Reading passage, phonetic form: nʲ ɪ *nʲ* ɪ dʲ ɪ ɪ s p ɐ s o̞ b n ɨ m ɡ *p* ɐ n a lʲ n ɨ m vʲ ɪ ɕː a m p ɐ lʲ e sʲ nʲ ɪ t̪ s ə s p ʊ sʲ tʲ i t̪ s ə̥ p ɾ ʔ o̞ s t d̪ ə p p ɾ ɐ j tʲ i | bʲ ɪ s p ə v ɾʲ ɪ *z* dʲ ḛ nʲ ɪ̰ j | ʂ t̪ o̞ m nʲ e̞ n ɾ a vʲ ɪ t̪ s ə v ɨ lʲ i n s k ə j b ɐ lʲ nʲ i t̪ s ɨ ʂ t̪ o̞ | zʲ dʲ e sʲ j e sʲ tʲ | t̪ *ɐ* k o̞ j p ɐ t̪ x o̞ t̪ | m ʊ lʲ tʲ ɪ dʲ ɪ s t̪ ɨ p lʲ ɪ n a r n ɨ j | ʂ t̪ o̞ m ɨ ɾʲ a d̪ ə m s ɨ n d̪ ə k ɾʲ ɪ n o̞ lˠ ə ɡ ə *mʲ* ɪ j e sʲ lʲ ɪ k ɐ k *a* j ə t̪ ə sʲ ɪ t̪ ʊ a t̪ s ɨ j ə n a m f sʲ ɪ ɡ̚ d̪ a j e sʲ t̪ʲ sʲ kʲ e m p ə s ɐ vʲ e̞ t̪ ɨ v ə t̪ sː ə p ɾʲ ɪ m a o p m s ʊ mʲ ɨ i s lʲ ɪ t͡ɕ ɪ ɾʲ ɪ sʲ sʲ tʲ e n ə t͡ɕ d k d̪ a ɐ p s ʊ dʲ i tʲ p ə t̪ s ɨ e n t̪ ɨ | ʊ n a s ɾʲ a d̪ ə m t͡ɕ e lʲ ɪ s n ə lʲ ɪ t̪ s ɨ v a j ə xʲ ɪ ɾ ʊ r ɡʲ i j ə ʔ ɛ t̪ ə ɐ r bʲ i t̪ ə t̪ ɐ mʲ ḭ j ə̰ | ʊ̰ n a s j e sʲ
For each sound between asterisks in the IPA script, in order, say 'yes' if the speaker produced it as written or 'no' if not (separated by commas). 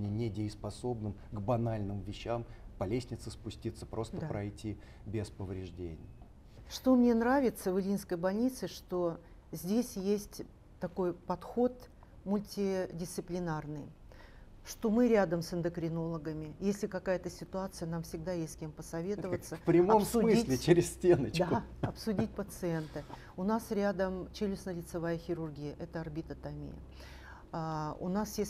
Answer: yes, no, no, yes, yes, yes